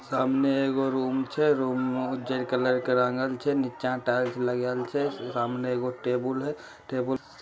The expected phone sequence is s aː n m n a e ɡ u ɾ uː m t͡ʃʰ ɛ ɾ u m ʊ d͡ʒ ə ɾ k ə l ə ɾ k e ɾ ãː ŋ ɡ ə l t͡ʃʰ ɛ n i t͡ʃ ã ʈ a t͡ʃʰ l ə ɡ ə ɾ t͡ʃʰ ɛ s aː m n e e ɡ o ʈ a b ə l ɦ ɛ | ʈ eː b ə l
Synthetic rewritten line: s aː m n e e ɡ o ɾ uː m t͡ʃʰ ɛ ɾ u m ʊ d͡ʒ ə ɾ k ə l ə ɾ k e ɾ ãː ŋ ɡ ə l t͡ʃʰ ɛ n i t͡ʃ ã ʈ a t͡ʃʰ l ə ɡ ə l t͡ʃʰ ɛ s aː m n e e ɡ o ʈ e b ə l ɦ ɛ | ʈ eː b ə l